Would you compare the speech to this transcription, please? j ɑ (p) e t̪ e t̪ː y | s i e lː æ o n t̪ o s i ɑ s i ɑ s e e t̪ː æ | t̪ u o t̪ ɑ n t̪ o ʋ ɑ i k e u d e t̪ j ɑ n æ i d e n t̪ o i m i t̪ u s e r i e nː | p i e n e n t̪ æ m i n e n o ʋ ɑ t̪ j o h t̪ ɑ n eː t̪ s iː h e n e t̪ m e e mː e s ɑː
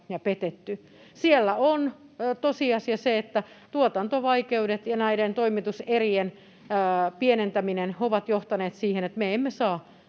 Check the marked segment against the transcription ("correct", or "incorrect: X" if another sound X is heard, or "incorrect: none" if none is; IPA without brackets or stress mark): correct